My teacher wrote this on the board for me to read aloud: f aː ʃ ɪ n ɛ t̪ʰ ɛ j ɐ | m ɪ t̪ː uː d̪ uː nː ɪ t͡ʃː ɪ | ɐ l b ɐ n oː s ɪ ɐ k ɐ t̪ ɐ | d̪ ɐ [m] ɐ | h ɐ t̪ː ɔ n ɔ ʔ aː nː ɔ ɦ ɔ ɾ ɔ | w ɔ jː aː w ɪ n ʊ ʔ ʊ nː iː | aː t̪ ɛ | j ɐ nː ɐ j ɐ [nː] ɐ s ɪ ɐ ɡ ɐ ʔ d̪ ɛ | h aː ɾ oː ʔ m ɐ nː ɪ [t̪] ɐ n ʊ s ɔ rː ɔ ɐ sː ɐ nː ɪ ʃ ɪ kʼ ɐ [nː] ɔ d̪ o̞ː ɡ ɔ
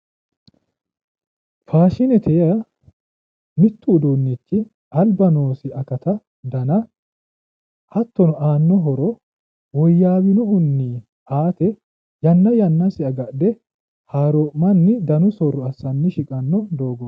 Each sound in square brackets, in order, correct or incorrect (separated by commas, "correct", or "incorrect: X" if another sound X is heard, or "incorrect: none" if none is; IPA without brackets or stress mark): incorrect: n, correct, incorrect: d̪, correct